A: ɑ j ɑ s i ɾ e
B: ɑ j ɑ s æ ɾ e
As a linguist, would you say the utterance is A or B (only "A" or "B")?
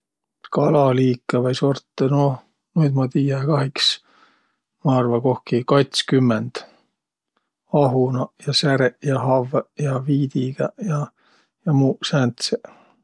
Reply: B